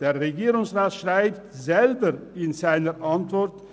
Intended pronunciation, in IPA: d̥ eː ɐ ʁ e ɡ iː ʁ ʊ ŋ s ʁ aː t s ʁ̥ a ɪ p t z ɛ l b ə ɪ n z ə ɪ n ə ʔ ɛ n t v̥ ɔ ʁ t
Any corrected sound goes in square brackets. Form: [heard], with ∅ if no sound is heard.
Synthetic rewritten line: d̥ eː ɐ ʁ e ɡ iː ʁ ʊ ŋ s ʁ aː t [ʃ] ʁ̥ a ɪ p t z ɛ l b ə ɪ n z [a] ɪ n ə ʔ [a] n t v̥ ɔ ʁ t